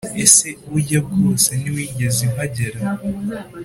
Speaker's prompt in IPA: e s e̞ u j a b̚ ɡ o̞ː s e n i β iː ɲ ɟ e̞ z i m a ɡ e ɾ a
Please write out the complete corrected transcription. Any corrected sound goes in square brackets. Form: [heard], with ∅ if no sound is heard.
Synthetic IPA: e s e̞ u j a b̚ ɡ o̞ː s e n i [w] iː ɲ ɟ e̞ z i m a [ɟ] e ɾ a